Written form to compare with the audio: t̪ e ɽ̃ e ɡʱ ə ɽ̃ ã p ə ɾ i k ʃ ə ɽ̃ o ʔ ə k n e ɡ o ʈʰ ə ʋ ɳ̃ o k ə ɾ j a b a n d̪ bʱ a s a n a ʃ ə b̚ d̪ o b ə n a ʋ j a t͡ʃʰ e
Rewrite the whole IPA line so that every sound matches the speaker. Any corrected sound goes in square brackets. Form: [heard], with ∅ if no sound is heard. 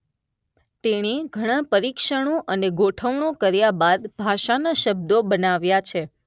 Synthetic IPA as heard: t̪ e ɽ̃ e ɡʱ ə ɽ̃ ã p ə ɾ i k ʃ ə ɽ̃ o ʔ ə [∅] n e ɡ o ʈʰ ə ʋ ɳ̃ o k ə ɾ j a b a [∅] d̪ bʱ a [ʃ] a n a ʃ ə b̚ d̪ o b ə n a ʋ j a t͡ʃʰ e